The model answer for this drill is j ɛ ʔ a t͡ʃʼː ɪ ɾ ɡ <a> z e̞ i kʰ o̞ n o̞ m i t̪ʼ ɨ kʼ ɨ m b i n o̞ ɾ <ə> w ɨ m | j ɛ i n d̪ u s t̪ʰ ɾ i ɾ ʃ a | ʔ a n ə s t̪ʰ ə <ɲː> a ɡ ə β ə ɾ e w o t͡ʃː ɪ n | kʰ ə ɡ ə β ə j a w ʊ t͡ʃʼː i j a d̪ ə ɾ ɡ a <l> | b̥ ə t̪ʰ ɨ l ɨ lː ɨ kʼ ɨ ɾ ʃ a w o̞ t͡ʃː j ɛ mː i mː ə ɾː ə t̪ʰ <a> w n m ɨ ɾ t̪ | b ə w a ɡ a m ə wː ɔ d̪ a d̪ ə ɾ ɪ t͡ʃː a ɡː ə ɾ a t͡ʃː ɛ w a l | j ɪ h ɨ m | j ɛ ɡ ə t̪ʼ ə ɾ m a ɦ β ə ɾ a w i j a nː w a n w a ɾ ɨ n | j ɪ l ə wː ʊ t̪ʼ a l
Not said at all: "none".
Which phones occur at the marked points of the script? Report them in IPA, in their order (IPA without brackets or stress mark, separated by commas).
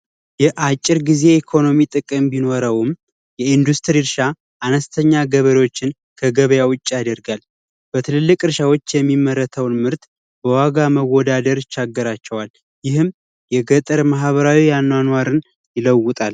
i, ə, ɲː, l, ə